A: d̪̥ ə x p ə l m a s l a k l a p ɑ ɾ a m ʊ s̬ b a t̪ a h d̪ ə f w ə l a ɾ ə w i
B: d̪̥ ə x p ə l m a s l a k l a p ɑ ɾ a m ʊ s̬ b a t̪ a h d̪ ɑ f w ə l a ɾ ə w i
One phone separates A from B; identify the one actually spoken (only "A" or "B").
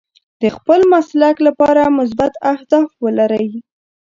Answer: B